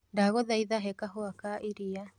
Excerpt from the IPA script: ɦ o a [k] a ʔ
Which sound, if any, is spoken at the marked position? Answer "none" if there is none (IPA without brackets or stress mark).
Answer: k